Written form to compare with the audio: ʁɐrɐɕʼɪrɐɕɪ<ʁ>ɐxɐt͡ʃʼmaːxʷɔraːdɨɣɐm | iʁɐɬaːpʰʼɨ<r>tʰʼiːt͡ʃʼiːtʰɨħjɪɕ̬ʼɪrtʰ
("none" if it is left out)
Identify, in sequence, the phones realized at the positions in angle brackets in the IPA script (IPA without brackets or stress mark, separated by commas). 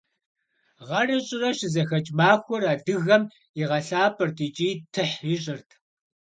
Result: z, r